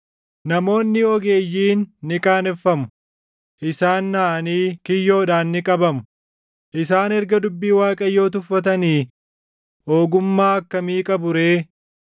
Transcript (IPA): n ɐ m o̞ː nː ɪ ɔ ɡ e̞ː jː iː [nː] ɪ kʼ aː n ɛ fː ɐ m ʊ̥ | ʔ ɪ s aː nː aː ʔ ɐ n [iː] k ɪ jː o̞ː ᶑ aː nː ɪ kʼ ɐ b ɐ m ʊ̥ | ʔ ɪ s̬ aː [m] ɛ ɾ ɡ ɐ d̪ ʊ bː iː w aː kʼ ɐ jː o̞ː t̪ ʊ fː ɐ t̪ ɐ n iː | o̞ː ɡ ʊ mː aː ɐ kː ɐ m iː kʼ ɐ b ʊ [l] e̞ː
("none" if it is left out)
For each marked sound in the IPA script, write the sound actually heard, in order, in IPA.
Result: nː, iː, n, ɾ

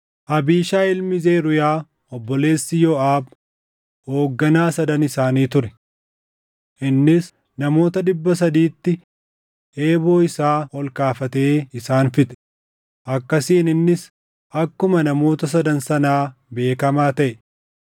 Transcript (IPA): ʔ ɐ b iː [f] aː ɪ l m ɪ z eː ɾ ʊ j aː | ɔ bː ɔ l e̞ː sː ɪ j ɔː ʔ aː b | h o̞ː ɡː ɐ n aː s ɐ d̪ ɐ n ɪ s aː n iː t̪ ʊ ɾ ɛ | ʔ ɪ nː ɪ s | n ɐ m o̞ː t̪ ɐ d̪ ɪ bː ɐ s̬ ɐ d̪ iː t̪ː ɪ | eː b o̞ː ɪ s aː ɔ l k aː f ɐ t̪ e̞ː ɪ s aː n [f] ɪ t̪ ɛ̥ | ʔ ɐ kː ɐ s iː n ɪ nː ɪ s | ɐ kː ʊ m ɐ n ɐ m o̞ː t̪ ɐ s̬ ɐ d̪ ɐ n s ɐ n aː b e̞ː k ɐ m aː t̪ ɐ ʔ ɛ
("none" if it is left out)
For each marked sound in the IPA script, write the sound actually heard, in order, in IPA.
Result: ʃ, f

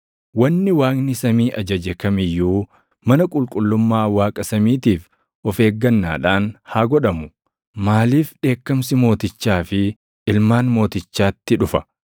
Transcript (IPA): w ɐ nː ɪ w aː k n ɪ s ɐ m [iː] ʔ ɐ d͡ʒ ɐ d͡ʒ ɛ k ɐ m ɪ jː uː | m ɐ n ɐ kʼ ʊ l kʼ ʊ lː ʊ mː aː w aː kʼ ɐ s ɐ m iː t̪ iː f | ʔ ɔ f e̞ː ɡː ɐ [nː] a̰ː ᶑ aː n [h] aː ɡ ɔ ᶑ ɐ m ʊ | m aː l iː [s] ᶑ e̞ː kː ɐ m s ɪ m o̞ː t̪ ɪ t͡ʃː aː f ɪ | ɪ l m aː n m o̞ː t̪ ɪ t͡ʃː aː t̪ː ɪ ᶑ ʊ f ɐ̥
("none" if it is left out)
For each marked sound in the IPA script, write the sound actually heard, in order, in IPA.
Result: iː, nː, h, f

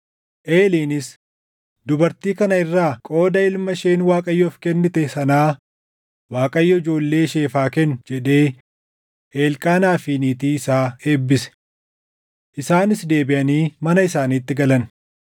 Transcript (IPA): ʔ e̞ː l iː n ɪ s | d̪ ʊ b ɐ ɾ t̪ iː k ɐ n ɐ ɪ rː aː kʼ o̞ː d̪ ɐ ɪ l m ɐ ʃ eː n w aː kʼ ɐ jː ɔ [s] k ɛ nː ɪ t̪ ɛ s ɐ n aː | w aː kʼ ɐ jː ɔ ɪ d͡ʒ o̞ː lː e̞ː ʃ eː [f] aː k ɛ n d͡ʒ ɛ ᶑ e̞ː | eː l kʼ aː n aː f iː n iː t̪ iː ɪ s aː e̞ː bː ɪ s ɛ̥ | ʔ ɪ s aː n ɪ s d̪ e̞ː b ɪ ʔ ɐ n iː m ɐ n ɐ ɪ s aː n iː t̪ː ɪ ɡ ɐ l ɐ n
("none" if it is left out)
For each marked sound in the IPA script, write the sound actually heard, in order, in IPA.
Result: f, f

